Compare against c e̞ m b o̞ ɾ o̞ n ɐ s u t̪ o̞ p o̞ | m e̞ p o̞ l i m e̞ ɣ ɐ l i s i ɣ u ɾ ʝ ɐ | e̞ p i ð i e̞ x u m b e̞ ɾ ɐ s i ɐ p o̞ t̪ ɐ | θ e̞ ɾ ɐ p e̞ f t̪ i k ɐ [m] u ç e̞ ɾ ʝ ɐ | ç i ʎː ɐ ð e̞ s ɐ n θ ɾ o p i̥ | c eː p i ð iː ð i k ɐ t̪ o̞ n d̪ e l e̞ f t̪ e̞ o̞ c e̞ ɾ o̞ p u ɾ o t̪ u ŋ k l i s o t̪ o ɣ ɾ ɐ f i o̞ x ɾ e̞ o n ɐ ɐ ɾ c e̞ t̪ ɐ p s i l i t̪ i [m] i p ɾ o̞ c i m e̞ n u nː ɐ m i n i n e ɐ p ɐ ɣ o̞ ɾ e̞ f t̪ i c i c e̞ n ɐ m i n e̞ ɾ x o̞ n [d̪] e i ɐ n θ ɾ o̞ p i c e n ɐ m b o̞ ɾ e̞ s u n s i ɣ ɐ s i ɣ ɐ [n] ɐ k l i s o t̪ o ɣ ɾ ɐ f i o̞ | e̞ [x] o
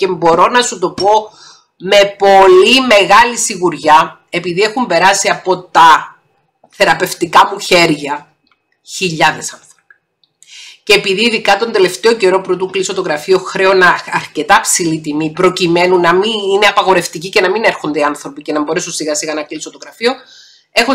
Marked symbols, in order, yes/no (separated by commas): yes, yes, yes, yes, yes